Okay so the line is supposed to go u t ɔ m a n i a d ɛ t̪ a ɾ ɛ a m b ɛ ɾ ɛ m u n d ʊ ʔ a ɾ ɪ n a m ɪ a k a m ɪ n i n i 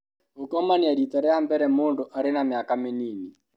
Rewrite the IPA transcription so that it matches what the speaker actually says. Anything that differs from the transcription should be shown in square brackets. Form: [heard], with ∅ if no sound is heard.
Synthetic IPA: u [k] ɔ m a n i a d [i] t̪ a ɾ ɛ a m b ɛ ɾ ɛ m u n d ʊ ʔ a ɾ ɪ n a m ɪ a k a m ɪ n i n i